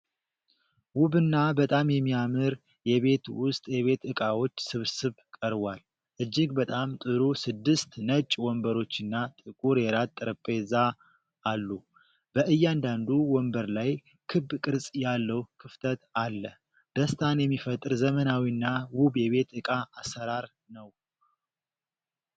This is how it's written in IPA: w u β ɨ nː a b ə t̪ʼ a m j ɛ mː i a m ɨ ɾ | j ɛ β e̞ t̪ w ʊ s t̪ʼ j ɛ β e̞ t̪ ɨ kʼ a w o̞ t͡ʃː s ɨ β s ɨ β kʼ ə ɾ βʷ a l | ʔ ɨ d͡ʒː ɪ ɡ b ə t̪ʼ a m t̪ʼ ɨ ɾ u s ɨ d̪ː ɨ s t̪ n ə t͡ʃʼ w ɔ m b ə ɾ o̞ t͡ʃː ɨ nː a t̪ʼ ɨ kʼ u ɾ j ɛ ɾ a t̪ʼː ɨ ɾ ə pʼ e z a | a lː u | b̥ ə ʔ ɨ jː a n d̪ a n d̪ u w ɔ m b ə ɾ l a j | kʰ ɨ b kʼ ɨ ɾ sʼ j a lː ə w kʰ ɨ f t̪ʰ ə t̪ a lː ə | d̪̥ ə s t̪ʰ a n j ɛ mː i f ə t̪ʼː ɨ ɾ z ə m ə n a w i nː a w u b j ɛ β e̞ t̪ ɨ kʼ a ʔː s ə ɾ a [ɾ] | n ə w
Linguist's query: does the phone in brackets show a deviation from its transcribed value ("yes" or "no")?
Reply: no